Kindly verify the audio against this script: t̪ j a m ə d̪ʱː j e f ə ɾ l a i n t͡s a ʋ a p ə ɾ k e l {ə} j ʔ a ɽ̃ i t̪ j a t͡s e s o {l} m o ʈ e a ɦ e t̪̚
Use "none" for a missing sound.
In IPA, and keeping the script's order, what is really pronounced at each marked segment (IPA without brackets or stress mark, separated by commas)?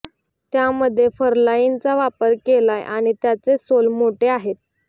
a, l